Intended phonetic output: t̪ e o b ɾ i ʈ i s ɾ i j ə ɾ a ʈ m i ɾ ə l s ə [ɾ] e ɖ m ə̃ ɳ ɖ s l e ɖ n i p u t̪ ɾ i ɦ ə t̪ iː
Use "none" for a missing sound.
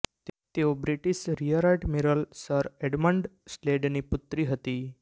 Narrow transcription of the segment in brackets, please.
ɾ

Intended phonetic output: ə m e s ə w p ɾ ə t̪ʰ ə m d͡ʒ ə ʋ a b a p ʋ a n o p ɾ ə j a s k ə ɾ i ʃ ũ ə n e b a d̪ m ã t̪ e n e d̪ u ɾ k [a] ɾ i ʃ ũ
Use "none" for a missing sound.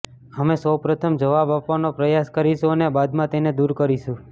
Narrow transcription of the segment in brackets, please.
ə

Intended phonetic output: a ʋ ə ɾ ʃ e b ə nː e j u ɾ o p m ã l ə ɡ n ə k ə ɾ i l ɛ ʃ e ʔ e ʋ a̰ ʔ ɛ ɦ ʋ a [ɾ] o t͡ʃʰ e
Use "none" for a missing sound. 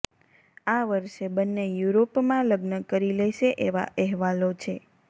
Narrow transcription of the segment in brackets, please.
l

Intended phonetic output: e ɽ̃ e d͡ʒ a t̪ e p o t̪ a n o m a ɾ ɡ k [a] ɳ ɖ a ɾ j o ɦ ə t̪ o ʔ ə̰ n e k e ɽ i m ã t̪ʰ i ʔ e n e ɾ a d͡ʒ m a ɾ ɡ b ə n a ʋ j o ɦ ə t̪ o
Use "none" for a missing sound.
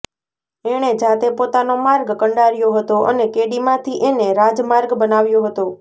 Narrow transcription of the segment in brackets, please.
ə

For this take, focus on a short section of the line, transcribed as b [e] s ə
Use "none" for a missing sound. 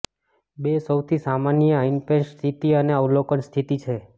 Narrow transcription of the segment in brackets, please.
e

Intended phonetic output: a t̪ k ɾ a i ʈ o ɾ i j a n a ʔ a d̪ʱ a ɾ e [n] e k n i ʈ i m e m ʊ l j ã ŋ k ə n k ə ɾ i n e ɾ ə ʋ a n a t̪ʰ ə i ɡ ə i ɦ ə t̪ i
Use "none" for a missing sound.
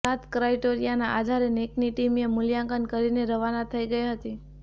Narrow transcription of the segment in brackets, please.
n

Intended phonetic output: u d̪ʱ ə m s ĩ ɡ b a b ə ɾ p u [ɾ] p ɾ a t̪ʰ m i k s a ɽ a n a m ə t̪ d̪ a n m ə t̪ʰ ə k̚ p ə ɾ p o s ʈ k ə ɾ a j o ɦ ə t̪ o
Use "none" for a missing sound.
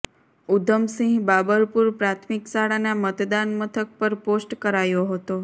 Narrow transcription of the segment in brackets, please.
ɾ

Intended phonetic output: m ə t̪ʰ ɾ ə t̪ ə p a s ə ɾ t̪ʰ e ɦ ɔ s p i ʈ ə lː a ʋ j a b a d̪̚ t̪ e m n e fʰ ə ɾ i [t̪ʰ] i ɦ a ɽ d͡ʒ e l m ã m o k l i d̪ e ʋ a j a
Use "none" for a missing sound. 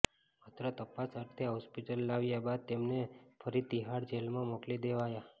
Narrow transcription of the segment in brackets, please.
t̪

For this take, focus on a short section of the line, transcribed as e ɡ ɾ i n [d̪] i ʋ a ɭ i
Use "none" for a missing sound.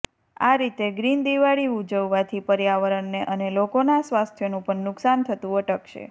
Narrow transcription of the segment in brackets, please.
d̪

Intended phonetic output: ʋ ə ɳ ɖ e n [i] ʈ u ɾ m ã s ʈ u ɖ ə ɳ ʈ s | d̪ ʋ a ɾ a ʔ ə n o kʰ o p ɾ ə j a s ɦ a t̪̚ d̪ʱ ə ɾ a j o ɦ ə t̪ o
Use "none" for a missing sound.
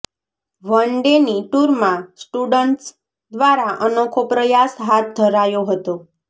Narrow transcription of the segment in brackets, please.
i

